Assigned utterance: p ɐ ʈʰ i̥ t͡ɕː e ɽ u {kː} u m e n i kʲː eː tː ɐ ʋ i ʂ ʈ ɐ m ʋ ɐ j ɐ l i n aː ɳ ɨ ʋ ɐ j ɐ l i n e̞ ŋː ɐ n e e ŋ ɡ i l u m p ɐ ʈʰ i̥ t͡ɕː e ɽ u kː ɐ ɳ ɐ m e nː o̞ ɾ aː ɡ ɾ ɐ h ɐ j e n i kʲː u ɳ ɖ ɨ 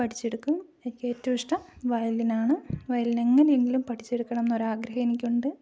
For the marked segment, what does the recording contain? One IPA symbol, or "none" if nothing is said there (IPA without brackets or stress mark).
kː